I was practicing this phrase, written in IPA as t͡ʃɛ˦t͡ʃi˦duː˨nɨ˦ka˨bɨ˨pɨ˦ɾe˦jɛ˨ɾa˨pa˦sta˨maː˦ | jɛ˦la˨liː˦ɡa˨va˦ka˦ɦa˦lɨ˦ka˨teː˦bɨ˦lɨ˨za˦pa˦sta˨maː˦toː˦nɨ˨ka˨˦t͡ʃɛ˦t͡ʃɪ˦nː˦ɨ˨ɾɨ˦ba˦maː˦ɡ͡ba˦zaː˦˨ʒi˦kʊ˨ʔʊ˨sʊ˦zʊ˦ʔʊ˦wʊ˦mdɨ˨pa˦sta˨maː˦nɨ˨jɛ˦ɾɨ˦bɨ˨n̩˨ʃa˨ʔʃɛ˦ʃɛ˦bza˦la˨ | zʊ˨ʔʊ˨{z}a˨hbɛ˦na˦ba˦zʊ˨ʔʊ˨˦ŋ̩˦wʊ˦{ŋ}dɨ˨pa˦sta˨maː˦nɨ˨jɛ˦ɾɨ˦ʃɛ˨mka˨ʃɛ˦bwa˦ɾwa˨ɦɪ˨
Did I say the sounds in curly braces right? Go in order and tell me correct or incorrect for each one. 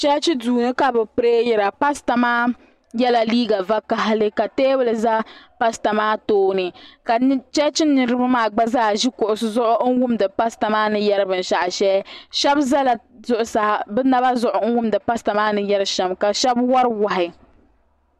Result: incorrect: s, incorrect: m

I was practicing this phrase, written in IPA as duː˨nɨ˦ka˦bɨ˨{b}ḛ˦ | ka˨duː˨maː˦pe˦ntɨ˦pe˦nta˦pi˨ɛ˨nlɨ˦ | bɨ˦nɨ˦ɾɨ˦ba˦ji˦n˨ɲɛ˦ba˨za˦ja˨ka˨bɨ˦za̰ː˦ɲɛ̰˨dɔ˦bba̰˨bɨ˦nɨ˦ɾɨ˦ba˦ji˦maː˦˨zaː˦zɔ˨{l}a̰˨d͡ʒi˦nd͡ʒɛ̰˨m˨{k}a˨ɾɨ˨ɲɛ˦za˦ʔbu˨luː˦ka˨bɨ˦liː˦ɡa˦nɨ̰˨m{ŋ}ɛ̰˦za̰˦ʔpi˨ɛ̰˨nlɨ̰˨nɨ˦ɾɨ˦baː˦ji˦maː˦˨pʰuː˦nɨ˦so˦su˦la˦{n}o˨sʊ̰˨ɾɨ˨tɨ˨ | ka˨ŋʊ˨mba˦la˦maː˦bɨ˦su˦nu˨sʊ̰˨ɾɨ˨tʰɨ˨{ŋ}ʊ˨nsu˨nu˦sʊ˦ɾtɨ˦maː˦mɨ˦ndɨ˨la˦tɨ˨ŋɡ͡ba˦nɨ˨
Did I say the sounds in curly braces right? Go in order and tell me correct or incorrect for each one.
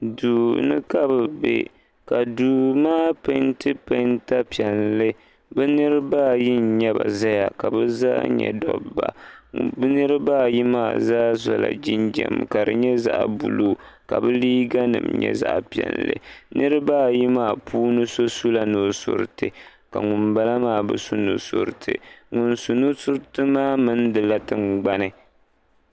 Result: correct, correct, correct, incorrect: ɲ, correct, correct

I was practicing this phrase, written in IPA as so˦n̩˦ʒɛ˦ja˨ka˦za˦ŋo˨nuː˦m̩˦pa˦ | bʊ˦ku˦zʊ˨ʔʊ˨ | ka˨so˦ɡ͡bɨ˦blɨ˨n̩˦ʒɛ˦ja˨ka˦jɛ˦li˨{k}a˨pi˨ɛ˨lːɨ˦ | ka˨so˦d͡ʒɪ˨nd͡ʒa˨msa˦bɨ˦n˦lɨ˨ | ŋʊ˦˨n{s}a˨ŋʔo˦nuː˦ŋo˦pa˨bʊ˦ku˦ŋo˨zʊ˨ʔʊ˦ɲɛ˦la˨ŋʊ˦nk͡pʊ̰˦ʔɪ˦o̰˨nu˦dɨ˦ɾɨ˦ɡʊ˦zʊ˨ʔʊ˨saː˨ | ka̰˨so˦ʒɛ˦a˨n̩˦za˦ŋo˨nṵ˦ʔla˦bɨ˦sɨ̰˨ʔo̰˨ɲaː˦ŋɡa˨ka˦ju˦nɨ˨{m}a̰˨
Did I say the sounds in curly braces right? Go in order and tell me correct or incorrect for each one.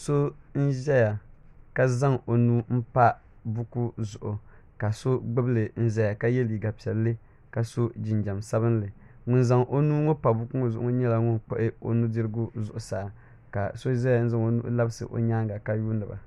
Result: incorrect: ɡ, incorrect: z, incorrect: b

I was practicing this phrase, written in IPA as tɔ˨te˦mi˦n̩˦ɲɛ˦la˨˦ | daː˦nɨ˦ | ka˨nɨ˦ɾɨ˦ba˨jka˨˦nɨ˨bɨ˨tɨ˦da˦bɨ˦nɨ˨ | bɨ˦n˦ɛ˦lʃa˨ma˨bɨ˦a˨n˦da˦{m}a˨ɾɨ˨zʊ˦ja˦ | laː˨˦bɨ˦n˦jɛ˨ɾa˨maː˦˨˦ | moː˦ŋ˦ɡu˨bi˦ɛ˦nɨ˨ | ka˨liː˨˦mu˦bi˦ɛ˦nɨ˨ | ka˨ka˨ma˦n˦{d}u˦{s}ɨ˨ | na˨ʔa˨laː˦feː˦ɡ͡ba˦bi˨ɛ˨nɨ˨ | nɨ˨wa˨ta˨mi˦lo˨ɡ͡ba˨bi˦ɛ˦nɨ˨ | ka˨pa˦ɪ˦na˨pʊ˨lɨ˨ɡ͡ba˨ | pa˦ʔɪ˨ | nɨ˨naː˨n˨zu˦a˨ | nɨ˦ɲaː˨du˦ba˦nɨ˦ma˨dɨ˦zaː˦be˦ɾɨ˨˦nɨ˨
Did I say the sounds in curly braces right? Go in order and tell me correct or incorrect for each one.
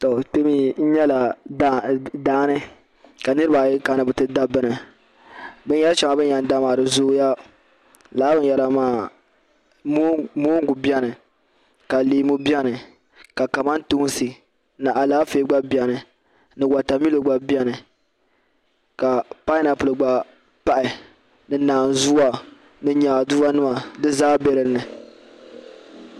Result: correct, incorrect: t, correct

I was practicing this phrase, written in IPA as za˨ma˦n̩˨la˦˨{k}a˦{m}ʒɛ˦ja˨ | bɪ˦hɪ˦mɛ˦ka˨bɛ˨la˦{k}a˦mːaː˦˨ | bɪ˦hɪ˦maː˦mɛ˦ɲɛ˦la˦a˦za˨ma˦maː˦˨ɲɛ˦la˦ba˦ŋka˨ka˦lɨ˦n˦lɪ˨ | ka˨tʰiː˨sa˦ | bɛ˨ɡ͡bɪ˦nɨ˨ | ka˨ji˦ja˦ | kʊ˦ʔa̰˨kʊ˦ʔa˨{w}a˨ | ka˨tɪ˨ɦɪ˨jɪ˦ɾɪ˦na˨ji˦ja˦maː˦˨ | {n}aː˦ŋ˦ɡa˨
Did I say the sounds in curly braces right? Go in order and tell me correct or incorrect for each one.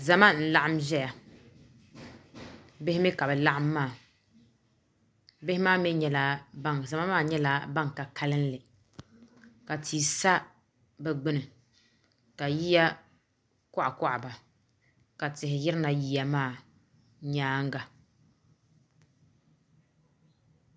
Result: incorrect: ʔ, correct, incorrect: ʔ, incorrect: b, incorrect: ɲ

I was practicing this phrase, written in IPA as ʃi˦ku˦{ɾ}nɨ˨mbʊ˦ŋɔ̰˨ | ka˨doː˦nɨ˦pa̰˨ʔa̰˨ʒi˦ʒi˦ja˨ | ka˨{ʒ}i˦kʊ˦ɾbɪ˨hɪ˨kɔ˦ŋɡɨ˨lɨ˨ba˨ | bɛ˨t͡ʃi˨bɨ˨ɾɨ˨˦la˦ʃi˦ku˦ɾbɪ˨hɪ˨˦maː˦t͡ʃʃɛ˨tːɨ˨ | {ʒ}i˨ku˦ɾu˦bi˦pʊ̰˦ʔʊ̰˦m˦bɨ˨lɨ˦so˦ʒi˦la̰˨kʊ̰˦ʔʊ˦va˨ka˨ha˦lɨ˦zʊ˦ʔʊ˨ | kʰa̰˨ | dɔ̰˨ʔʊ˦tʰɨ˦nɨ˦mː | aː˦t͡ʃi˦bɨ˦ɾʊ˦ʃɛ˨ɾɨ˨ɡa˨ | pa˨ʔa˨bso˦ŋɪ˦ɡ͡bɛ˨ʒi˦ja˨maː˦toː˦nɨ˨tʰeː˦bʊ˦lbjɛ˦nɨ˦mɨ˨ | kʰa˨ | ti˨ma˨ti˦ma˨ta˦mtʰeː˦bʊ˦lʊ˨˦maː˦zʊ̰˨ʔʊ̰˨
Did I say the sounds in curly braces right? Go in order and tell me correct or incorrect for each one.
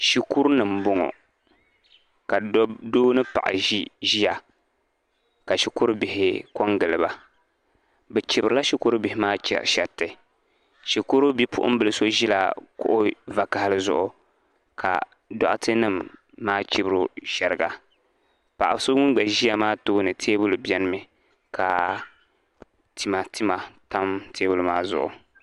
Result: correct, incorrect: ʃ, incorrect: ʃ

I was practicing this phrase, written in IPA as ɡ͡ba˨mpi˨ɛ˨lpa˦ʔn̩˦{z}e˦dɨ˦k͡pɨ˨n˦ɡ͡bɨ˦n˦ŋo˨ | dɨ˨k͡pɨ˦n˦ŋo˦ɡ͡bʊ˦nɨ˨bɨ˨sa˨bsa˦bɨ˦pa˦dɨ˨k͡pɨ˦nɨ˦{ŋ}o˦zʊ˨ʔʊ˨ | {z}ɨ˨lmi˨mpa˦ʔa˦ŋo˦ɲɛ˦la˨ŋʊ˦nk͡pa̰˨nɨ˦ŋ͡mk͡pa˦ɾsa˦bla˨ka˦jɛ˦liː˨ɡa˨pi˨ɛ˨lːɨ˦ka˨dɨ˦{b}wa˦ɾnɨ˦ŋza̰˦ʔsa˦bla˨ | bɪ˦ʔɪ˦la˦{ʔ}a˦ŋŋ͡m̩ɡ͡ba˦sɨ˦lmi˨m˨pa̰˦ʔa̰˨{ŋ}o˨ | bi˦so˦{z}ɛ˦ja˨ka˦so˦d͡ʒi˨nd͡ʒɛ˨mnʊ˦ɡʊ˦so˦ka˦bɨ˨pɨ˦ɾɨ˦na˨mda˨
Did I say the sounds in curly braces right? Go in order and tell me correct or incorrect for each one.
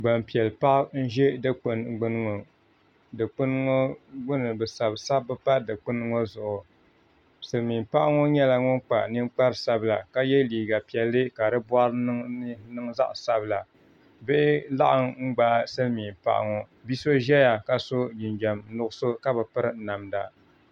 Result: incorrect: ʒ, correct, incorrect: s, correct, correct, correct, incorrect: ʒ

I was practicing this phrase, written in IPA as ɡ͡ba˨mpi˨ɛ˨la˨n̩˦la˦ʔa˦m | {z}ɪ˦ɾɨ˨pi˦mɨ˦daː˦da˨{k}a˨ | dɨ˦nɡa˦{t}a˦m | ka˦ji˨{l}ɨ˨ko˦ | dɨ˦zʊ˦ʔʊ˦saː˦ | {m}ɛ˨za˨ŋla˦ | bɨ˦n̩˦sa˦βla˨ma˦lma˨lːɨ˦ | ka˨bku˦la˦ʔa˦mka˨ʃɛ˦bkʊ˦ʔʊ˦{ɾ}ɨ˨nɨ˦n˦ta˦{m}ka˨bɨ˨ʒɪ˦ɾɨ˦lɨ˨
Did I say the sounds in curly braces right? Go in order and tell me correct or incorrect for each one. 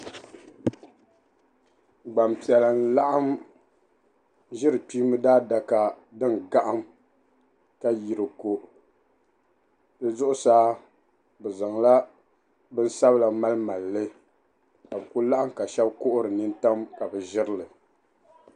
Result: incorrect: ʒ, correct, incorrect: ʔ, incorrect: ɾ, incorrect: b, correct, correct

